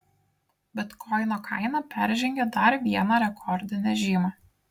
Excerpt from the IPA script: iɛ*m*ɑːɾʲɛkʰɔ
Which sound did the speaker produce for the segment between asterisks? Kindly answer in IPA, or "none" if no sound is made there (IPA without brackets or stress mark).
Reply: n